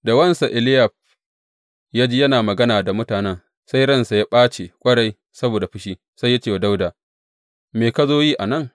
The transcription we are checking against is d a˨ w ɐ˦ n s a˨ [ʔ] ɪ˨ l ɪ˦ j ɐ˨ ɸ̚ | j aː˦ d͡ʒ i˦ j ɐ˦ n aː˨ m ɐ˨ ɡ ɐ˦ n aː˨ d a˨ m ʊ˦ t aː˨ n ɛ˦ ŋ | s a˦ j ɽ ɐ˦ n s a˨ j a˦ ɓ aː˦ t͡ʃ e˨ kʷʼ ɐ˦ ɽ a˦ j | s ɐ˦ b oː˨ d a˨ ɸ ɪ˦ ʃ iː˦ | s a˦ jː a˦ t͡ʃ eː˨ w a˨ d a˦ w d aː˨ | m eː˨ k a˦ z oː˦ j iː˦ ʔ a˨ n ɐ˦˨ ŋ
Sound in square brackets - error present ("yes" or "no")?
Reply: no